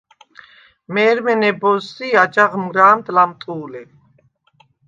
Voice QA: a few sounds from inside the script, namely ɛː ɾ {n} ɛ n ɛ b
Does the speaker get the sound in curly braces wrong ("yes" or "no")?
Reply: yes